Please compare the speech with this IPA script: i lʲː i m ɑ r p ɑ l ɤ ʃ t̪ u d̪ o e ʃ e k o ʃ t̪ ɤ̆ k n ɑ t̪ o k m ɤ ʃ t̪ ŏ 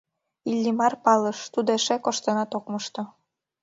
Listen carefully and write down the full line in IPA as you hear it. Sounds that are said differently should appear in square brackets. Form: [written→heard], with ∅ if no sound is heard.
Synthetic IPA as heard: i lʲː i m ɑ r p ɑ l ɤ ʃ t̪ u d̪ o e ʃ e k o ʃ t̪ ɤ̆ [k→∅] n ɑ t̪ o k m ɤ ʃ t̪ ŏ